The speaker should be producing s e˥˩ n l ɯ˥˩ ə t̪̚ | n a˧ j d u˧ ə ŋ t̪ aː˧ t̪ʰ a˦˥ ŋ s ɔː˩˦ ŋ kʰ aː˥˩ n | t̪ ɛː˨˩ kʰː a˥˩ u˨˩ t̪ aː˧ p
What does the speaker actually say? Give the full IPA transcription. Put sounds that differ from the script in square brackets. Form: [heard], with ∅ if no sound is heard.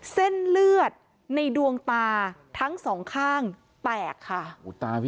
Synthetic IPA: s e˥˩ n l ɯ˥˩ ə t̪̚ | n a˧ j d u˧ ə ŋ t̪ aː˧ t̪ʰ a˦˥ ŋ s ɔː˩˦ ŋ kʰ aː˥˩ [ŋ] | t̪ ɛː˨˩ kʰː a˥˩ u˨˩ t̪ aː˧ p

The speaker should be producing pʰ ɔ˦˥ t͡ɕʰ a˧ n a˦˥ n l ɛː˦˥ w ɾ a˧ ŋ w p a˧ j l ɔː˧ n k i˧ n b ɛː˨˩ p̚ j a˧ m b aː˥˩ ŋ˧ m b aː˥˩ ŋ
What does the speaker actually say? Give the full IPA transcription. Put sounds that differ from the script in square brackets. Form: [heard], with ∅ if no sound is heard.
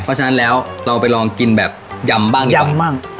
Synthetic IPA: pʰ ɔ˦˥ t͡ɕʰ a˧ n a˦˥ n l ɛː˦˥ w ɾ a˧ [∅] w p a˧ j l ɔː˧ [ŋ] k i˧ n b ɛː˨˩ p̚ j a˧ m b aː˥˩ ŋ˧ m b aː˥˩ ŋ

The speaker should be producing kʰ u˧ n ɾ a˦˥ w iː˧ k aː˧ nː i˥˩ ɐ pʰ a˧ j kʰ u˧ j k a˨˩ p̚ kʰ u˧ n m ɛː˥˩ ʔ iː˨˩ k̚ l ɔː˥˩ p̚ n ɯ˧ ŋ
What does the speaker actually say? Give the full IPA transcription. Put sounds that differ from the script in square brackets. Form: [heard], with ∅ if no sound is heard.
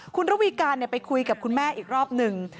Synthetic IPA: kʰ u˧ n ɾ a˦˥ w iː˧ k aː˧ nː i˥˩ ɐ [p] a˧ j kʰ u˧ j k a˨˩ p̚ kʰ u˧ n m ɛː˥˩ ʔ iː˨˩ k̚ [ɾ] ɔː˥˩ p̚ n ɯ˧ ŋ

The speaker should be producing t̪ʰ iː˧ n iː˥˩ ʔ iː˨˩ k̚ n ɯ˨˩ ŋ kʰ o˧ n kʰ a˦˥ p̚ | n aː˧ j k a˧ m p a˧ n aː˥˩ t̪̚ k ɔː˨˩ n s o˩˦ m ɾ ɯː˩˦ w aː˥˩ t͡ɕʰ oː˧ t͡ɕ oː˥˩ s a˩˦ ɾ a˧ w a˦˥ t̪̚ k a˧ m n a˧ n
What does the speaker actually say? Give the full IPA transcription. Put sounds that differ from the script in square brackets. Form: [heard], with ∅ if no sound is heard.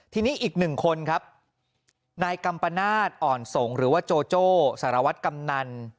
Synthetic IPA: t̪ʰ iː˧ n [iː˦˥] ʔ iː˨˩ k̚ n ɯ˨˩ ŋ kʰ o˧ n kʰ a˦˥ p̚ | n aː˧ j k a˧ m p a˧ n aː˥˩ t̪̚ [ʔ] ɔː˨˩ n s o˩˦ [ŋ] ɾ ɯː˩˦ w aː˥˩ [t͡ɕ] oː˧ t͡ɕ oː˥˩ s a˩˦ ɾ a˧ w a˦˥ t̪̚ k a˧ m n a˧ n

